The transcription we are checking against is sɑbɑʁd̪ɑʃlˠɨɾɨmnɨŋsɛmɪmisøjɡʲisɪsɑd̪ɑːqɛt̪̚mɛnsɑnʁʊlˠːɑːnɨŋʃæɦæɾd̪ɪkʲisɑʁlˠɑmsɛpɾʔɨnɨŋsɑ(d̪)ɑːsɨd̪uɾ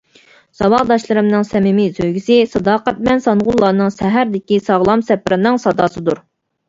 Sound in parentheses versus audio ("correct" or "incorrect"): correct